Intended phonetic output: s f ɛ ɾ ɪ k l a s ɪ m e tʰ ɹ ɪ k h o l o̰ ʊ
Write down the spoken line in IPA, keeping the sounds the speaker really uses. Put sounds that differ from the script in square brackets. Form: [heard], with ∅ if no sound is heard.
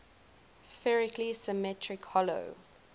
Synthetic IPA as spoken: s f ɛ [ɹ] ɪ k l [i] s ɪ m [ɛ] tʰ ɹ ɪ k h [ɔ] l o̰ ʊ